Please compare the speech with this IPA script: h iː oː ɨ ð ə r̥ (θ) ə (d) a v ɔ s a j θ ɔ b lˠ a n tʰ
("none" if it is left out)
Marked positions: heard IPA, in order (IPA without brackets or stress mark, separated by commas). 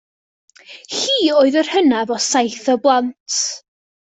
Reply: h, n